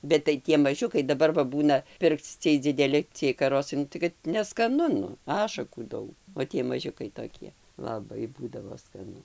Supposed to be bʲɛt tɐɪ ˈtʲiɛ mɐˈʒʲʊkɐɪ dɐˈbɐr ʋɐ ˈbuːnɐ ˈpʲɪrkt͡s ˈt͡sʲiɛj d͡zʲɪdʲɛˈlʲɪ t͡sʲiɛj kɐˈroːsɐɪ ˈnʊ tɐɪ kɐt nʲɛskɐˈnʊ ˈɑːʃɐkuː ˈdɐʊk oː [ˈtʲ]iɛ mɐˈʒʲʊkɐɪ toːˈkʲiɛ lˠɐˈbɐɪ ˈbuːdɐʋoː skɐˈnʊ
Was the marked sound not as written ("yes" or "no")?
no